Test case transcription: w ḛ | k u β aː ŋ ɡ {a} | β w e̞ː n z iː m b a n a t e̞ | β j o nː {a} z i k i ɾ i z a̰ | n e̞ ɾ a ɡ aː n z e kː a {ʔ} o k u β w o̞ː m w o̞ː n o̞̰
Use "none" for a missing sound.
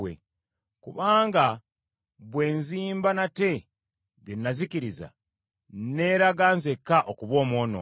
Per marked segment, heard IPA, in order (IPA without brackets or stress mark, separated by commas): a, a, ʔ